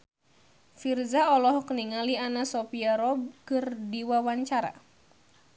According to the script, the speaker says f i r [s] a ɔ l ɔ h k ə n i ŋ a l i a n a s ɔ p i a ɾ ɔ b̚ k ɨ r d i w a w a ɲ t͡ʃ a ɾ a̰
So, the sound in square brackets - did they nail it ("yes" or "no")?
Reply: no